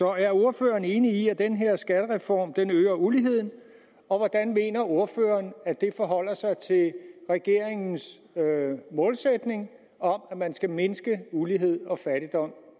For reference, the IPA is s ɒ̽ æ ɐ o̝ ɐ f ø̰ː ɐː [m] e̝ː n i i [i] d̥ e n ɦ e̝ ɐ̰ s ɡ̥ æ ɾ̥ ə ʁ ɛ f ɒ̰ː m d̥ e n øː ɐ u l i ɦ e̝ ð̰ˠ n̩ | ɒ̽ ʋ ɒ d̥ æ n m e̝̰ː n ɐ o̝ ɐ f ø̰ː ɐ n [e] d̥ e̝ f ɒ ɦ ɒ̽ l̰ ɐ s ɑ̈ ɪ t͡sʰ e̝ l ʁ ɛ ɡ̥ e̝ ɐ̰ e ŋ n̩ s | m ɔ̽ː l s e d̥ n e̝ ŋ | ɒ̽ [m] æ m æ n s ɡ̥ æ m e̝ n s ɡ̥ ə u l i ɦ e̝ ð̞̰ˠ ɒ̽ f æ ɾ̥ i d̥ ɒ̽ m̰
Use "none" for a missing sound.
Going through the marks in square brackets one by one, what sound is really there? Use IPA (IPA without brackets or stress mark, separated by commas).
n, æ, æ, m